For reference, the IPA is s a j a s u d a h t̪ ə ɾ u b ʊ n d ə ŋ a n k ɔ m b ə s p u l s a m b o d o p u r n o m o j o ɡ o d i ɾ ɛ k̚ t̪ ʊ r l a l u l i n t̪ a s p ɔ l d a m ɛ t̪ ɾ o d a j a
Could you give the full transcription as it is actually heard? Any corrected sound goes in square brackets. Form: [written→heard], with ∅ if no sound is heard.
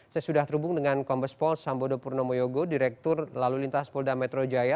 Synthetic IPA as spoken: s a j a s u d a h t̪ ə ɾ u b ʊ [n→ŋ] d ə ŋ a n k ɔ m b ə s p [u→ɔ] l s a m b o d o p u r n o m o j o ɡ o d i ɾ ɛ k̚ t̪ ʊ r l a l u l i n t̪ a s p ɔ l d a m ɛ t̪ ɾ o [d→d͡ʒ] a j a

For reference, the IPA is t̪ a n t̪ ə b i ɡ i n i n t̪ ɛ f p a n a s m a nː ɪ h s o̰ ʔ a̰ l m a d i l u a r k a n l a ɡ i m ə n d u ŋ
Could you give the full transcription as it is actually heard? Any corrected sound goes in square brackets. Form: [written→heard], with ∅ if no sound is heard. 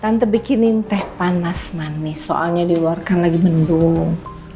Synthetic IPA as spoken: t̪ a n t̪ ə b i [ɡ→k] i n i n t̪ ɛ [f→h] p a n a s m a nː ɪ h s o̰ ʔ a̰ l [m→ɲ] a d i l u a r k a n l a ɡ i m ə n d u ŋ

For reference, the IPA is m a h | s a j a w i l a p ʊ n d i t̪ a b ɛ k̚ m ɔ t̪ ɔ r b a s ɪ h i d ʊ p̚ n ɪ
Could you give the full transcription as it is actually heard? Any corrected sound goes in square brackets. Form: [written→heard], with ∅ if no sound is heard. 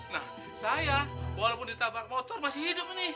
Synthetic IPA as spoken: [m→n] a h | s a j a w [i→a] l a p ʊ n d i t̪ a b [ɛ→a] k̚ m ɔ t̪ ɔ r [b→m] a s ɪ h i d ʊ p̚ n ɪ

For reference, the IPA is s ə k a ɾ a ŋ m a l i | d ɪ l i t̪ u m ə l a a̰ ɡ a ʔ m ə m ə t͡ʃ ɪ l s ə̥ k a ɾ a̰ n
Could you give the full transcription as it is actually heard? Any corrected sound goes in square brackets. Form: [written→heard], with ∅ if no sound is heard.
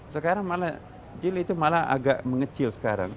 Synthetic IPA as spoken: s ə k a ɾ a ŋ m a l [i→a] | [d→d͡ʒ] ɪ l i t̪ u m [ə→a] l a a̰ ɡ a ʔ m ə [m→ŋ] ə t͡ʃ ɪ l s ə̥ k a ɾ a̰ [n→ŋ]

